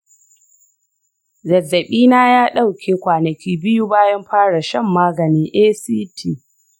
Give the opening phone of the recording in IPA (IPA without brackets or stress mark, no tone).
z